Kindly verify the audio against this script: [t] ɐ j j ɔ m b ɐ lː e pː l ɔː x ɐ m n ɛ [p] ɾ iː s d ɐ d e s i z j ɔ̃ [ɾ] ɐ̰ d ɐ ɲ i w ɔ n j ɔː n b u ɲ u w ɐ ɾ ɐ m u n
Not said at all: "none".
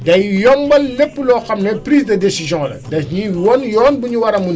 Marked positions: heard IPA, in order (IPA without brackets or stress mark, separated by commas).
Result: d, p, l